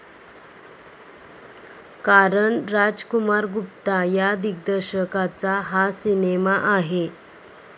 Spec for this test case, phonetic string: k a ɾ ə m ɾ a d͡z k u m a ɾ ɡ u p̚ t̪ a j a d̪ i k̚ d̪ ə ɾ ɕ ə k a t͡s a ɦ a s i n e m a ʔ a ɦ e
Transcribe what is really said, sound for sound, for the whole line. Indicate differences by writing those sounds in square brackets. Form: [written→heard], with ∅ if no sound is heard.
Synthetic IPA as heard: k a ɾ ə [m→ɳ] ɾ a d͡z k u m a ɾ ɡ u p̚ t̪ a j a d̪ i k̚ d̪ ə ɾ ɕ ə k a t͡s a ɦ a s i n e m a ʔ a ɦ e

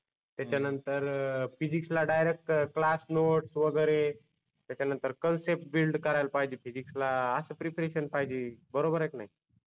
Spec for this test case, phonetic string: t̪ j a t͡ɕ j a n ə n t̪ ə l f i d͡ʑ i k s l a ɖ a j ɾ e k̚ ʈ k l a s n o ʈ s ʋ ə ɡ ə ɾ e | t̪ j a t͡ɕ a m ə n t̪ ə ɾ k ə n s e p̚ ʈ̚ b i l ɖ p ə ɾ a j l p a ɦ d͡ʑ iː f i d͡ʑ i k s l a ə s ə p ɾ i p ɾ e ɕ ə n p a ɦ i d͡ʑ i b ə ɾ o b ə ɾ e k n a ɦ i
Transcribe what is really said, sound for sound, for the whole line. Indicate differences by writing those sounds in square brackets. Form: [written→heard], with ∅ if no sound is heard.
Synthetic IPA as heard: t̪ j a t͡ɕ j a n ə n t̪ ə [l→ɾ] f i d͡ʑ i k s l a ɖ a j ɾ e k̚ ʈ k l a s n o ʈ s ʋ ə ɡ ə ɾ e | t̪ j a t͡ɕ a [m→n] ə n t̪ ə ɾ k ə n s e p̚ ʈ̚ b i l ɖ [p→k] ə ɾ a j l p a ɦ d͡ʑ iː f i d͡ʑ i k s l a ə s ə p ɾ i p ɾ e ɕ ə n p a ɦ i d͡ʑ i b ə ɾ o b ə ɾ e k n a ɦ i

